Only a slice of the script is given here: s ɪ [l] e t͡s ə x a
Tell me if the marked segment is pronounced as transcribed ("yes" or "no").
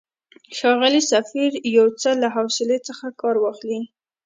yes